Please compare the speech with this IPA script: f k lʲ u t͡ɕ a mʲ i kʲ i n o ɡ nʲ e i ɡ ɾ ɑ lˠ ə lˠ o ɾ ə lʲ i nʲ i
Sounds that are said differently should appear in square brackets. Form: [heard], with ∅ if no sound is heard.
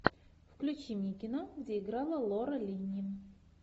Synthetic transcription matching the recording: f k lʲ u t͡ɕ [i] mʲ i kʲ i n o ɡ [dʲ] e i ɡ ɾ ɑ lˠ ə lˠ o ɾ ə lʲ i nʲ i